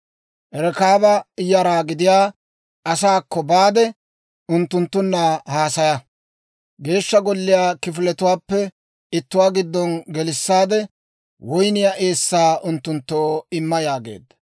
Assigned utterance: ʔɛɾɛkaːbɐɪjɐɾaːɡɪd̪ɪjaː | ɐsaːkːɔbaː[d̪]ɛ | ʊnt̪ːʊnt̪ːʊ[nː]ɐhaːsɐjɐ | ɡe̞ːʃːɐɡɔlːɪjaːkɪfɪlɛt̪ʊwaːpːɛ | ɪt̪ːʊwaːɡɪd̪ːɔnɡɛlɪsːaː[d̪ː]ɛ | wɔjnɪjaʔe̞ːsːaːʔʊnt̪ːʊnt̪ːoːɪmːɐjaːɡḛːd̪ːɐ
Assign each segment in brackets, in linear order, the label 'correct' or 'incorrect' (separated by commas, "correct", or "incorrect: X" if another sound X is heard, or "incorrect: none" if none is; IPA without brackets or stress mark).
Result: correct, correct, incorrect: d̪